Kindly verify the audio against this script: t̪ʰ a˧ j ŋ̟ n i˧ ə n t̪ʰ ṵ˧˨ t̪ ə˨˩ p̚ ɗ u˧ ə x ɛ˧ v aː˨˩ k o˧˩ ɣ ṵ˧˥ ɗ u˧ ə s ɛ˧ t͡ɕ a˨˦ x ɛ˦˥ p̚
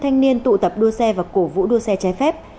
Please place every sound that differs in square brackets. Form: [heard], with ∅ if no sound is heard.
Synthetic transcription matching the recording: t̪ʰ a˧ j ŋ̟ n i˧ ə n [t̪] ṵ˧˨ t̪ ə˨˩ p̚ ɗ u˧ ə [s] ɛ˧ v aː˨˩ k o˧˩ [v] ṵ˧˥ ɗ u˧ ə s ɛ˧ t͡ɕ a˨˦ [f] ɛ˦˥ p̚